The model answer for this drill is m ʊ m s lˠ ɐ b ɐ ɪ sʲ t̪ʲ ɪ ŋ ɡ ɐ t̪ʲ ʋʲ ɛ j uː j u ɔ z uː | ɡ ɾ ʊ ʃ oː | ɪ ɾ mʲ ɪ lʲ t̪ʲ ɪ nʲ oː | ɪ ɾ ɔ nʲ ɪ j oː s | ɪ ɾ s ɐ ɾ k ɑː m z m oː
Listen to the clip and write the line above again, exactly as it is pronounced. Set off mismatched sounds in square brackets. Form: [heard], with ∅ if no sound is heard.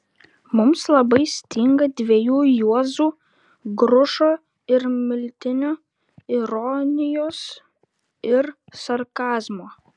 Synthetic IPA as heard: m ʊ m s lˠ ɐ b ɐ ɪ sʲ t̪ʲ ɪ ŋ ɡ ɐ [d̪ʲ] ʋʲ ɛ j uː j u ɔ z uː | ɡ ɾ ʊ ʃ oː | ɪ ɾ mʲ ɪ lʲ t̪ʲ ɪ nʲ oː | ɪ ɾ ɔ nʲ ɪ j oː s | ɪ ɾ s ɐ ɾ k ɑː [∅] z m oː